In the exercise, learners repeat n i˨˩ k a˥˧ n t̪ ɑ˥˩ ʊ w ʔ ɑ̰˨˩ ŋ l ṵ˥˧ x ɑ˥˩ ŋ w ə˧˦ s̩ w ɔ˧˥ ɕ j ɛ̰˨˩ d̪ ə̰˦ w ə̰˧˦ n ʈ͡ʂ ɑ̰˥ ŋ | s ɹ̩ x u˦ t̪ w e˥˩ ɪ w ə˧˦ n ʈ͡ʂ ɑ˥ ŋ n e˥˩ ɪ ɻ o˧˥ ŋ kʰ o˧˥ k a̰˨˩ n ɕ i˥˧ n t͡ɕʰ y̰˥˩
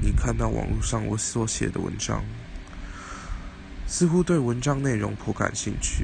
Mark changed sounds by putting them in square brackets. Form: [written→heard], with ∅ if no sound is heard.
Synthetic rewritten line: n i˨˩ [k→kʰ] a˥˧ n t̪ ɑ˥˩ ʊ w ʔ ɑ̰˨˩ ŋ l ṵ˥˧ [x→ʂ] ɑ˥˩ ŋ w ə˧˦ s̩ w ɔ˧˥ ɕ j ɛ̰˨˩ d̪ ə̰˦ w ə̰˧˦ n ʈ͡ʂ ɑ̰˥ ŋ | s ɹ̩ x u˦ t̪ w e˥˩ ɪ w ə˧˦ n ʈ͡ʂ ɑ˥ ŋ n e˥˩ ɪ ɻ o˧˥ ŋ [kʰ→pʰ] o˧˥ k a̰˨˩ n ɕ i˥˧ [n→ŋ] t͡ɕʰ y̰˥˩